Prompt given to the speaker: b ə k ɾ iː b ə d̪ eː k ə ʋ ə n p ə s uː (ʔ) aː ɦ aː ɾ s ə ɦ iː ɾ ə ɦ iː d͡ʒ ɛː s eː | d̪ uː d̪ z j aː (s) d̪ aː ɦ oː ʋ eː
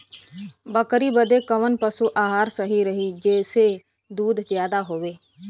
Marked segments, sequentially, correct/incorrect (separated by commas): correct, incorrect